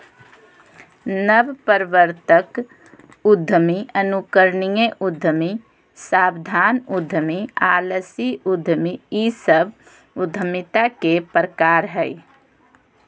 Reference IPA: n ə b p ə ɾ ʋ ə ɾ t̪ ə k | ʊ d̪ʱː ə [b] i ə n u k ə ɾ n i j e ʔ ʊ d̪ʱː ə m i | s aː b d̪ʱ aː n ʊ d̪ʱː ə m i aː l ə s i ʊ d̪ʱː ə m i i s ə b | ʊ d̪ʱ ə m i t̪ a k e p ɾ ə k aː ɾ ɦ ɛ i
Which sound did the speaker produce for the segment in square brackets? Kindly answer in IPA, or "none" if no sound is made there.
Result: m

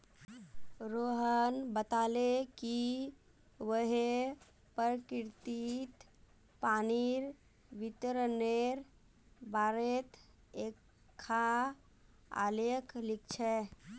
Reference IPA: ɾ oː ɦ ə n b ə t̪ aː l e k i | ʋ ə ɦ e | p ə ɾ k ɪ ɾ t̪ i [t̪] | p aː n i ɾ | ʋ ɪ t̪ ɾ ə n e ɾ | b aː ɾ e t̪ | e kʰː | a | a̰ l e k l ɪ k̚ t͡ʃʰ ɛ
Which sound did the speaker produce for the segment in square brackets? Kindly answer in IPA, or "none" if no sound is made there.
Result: t̪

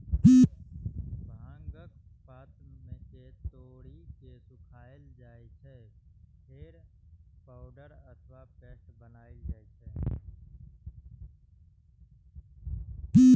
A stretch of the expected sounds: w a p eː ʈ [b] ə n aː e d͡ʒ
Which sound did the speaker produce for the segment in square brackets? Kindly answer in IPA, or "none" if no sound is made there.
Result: b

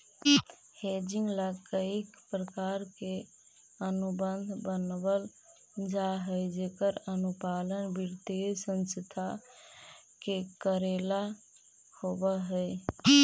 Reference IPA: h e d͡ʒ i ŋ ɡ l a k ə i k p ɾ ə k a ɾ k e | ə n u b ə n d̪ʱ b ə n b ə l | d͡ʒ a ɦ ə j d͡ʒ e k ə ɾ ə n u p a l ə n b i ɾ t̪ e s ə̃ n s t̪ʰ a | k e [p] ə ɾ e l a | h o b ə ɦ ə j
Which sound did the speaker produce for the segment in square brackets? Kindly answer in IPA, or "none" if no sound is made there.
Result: k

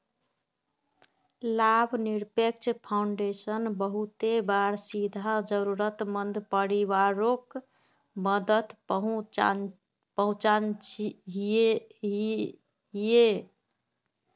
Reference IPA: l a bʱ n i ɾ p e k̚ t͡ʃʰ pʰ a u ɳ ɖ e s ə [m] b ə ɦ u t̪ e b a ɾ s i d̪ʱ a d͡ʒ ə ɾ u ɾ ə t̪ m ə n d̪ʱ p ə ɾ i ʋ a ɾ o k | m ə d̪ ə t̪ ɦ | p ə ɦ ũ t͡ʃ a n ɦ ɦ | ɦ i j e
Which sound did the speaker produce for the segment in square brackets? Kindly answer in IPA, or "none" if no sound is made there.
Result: n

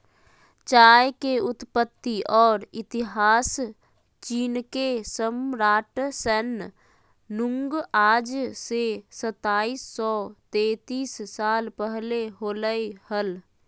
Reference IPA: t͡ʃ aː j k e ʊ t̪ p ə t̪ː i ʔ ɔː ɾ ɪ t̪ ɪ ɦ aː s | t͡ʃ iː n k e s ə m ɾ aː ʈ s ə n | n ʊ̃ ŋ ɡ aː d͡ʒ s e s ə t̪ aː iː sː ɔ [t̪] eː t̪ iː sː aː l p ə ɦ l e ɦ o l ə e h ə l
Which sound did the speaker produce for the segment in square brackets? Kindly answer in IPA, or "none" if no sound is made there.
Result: t̪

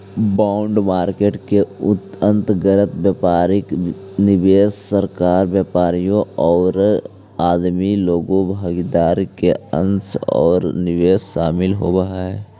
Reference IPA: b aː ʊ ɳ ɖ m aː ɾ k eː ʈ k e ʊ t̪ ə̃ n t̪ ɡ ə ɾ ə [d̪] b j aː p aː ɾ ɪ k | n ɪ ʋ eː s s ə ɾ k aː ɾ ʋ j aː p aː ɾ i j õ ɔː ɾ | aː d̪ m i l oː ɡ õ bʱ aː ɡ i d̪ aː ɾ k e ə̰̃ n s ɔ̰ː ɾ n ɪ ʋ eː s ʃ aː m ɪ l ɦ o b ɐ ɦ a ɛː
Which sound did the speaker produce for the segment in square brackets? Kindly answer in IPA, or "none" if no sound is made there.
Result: t̪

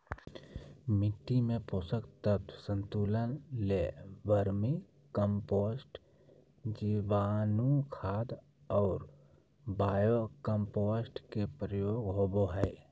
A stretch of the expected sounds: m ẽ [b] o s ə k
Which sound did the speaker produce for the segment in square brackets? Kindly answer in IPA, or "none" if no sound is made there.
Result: p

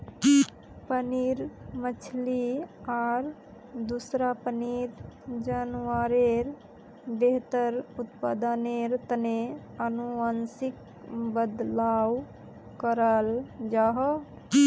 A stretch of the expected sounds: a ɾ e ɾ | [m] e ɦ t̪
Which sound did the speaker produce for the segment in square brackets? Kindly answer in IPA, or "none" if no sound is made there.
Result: b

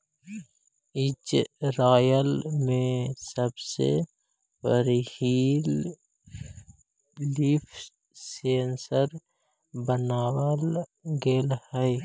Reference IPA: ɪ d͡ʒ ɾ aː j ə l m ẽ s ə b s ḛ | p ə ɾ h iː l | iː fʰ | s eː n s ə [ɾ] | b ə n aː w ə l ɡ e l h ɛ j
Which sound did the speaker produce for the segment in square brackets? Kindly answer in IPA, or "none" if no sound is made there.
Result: ɾ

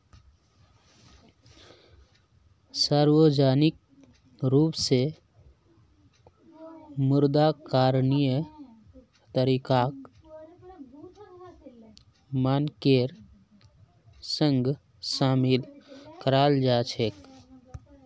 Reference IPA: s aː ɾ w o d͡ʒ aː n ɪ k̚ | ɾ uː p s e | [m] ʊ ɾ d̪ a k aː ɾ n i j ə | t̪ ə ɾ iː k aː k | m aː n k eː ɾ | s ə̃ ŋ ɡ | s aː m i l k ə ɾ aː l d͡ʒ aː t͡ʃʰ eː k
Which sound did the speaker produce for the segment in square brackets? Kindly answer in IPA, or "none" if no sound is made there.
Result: m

